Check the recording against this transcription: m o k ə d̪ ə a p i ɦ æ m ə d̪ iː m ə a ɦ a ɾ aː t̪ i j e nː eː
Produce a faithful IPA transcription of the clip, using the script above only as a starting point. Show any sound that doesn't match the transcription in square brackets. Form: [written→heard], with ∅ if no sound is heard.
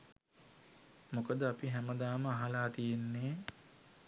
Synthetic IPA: m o k ə d̪ ə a p i ɦ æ m ə d̪ [iː→aː] m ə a ɦ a [ɾ→l] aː t̪ i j e nː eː